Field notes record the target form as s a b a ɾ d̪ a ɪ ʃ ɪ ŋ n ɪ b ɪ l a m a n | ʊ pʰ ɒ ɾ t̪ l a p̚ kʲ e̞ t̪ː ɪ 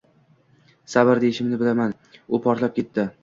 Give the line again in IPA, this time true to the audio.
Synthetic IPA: s a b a ɾ d̪ e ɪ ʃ ɪ m n ɪ b ɪ l a m a n | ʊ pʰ ɒ ɾ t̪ l a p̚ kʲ e̞ t̪ː ɪ